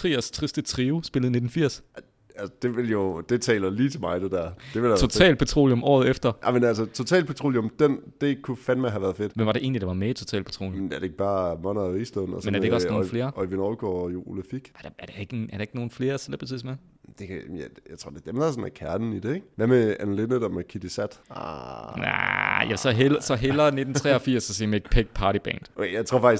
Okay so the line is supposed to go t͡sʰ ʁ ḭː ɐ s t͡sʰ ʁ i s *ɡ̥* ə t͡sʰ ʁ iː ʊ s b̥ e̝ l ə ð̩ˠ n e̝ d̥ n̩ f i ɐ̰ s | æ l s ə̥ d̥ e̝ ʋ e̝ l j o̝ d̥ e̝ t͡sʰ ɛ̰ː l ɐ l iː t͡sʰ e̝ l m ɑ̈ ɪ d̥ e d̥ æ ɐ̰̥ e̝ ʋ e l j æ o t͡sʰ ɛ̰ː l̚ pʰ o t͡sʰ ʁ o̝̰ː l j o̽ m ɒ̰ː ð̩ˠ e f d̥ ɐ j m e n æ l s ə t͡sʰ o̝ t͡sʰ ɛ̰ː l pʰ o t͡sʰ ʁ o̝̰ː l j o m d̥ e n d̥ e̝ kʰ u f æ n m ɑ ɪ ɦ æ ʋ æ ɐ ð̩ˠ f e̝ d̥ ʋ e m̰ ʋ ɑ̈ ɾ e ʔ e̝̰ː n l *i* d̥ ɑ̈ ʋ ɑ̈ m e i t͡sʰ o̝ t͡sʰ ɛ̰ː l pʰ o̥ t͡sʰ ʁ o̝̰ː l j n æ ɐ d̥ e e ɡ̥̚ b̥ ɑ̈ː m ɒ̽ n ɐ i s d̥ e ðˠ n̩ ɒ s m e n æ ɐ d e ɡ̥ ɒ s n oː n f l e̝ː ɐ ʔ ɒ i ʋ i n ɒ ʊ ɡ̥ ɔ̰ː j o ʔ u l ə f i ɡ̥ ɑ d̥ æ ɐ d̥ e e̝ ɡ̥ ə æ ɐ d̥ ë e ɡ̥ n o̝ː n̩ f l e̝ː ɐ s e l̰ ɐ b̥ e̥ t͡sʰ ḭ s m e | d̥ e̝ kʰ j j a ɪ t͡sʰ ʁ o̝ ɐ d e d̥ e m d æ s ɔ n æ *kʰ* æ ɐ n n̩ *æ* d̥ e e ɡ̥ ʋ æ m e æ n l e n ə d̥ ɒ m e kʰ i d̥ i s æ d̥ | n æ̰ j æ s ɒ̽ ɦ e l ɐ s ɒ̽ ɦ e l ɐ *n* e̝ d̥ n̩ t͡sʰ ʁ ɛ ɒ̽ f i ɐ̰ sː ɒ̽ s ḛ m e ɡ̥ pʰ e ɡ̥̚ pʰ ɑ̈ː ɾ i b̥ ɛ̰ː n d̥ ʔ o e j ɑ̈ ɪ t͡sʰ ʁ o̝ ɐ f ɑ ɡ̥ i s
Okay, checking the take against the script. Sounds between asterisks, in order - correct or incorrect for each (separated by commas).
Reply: incorrect, correct, correct, incorrect, correct